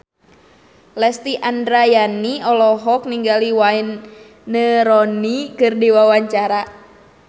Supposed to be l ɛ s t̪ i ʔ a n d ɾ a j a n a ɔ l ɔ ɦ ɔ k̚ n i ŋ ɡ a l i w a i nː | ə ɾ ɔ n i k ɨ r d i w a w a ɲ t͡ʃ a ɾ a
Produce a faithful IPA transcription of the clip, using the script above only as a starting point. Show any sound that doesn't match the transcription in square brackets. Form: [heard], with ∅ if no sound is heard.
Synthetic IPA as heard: l ɛ s t̪ i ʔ a n d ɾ a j a n [i] ɔ l ɔ ɦ ɔ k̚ n i ŋ ɡ a l i w a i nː | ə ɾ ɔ n i k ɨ r d i w a w a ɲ t͡ʃ a ɾ a